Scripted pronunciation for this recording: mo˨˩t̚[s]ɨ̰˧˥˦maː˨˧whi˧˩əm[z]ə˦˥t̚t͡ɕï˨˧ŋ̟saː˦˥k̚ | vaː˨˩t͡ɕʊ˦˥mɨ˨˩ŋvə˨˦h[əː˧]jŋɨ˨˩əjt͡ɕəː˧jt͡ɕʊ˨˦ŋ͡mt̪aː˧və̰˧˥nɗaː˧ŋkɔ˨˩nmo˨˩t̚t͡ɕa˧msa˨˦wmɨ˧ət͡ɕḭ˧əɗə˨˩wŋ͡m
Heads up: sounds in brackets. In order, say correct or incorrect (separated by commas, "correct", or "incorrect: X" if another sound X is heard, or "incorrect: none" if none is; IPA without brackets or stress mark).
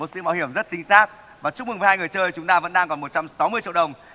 correct, correct, incorrect: aː˧